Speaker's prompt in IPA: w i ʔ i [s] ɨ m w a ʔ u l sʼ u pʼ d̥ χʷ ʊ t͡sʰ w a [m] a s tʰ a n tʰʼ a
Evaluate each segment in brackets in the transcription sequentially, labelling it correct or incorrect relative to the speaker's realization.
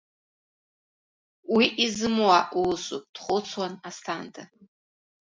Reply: incorrect: z, incorrect: n

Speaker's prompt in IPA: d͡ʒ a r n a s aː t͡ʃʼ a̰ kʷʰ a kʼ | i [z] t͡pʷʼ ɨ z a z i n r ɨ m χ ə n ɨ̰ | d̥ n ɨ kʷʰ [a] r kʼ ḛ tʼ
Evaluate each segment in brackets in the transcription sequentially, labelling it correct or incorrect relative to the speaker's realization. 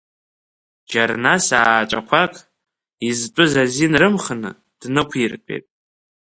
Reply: correct, incorrect: i

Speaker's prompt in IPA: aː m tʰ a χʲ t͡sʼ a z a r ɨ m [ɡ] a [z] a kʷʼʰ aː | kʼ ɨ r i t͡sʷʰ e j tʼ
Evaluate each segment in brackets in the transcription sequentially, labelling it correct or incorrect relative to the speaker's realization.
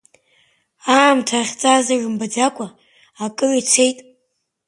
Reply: incorrect: b, incorrect: d͡z

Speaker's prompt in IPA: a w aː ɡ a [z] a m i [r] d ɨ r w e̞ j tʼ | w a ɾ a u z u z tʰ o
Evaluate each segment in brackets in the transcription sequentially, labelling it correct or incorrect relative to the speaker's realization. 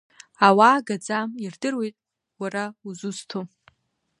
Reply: incorrect: d͡z, correct

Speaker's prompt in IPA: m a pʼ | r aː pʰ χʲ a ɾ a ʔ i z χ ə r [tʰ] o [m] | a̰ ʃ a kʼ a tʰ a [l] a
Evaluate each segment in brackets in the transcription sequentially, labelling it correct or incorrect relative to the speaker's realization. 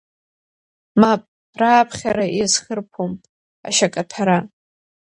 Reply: incorrect: pʰ, correct, incorrect: ɾ

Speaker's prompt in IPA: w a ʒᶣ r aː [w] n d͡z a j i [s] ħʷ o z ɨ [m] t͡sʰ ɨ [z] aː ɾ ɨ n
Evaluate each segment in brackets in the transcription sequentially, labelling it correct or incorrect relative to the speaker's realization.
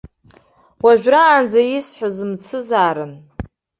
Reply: incorrect: none, correct, correct, correct

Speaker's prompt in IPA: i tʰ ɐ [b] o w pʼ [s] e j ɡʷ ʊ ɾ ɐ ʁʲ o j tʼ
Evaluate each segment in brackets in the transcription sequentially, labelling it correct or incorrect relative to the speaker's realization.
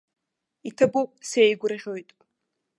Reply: correct, correct

